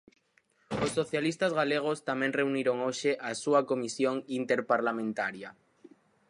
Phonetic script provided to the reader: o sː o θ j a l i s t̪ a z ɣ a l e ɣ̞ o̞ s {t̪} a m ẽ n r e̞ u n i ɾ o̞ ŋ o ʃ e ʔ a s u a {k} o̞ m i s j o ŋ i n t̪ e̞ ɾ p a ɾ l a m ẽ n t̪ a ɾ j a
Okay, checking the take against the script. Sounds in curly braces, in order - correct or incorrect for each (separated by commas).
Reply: correct, correct